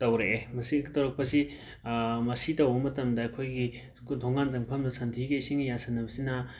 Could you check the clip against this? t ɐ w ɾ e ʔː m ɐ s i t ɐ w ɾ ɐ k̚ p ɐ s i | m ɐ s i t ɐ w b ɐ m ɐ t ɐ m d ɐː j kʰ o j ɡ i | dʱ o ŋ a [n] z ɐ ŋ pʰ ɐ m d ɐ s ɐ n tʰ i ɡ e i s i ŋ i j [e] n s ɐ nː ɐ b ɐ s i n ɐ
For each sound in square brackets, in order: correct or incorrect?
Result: correct, incorrect

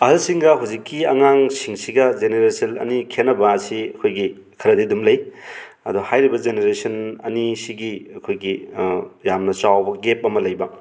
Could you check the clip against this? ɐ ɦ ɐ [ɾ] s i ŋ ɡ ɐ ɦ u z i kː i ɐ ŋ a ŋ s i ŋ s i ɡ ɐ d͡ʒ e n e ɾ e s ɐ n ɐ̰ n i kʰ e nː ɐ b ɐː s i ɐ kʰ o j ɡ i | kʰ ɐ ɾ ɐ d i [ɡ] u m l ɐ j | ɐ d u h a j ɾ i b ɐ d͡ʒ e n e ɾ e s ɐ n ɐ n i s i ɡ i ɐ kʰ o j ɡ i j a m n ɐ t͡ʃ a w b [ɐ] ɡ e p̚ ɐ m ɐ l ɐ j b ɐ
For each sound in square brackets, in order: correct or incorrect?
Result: incorrect, incorrect, correct

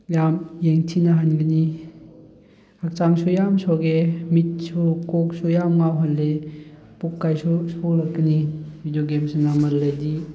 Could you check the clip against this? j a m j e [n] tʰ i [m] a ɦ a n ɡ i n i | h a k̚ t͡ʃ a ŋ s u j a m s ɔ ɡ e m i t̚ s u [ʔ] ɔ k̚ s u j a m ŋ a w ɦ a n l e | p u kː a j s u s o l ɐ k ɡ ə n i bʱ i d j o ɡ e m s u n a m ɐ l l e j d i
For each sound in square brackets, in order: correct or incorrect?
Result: incorrect, incorrect, incorrect

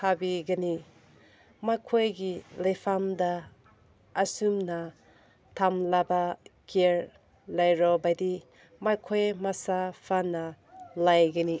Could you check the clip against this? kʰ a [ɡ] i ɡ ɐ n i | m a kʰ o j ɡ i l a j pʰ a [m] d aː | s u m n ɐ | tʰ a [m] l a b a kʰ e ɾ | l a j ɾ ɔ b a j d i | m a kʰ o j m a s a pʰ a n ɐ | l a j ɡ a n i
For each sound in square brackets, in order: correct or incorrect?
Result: incorrect, correct, correct

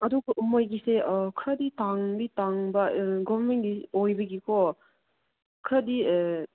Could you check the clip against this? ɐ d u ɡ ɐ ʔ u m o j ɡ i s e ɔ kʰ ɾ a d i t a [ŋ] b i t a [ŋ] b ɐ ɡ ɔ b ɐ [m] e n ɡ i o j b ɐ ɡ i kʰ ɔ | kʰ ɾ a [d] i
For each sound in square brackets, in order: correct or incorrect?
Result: correct, correct, correct, correct

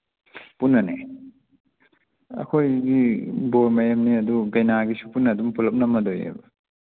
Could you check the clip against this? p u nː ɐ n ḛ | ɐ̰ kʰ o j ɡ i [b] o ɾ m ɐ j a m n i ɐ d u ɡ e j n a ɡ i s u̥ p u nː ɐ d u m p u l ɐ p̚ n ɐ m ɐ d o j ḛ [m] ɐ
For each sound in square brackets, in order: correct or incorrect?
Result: correct, incorrect

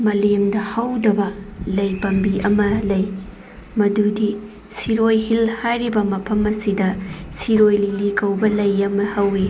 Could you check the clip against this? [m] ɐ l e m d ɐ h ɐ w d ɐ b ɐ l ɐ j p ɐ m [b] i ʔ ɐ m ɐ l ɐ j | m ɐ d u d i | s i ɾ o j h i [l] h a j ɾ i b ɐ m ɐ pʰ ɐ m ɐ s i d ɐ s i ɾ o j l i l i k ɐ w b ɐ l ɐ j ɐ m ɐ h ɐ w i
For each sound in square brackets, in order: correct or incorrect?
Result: correct, correct, correct

